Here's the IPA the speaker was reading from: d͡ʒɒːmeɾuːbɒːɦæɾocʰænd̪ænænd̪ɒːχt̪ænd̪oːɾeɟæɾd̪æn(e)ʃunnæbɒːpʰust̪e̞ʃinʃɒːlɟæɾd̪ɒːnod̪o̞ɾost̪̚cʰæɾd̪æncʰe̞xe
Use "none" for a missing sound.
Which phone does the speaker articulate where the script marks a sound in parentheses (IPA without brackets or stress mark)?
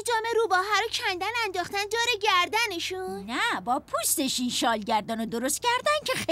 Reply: e